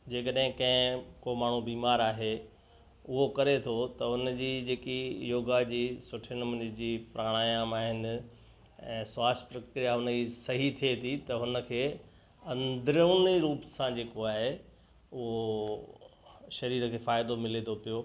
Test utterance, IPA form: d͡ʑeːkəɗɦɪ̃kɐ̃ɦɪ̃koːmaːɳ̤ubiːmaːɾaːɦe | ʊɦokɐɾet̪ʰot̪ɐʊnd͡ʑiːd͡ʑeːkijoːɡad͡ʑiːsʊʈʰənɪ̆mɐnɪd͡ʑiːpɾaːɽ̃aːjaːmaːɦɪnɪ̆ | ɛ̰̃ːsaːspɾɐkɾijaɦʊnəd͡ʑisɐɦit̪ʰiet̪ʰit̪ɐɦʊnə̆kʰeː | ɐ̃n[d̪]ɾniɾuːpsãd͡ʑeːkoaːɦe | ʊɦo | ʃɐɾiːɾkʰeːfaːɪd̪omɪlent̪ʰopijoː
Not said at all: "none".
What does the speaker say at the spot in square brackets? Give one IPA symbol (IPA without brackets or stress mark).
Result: d̪